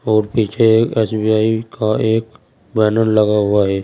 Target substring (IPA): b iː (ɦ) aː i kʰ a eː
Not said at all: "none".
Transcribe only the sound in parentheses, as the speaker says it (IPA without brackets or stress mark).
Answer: none